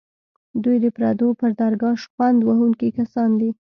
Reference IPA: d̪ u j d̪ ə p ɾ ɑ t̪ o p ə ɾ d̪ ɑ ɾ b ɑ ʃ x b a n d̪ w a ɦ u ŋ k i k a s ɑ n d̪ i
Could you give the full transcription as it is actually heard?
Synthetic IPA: d̪ u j d̪ ə p ɾ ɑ d̪ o p ə ɾ d̪ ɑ ɾ ɡ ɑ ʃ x w a n d̪ w a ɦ u ŋ k i k a s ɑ n d̪ i